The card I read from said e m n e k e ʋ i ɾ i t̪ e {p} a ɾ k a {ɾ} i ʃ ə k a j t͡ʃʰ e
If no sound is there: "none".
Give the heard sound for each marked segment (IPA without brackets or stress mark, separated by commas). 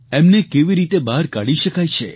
b, ɽ